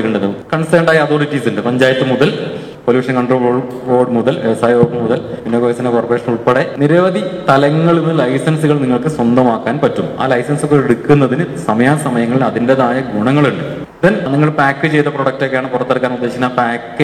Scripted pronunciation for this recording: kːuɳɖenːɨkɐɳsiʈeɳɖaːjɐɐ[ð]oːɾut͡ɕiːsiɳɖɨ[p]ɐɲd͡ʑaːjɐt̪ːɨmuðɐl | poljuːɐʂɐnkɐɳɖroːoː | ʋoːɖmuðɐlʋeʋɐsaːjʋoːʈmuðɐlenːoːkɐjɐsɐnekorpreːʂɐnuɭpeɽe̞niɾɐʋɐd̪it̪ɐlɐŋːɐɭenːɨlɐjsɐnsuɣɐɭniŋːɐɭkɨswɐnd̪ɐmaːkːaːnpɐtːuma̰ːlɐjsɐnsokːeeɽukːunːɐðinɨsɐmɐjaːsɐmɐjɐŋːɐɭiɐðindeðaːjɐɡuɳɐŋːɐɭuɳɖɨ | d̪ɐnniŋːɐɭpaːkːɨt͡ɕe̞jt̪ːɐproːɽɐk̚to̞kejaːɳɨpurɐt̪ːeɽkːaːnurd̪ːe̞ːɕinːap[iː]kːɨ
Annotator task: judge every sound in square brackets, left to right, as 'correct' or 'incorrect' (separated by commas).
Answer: correct, correct, incorrect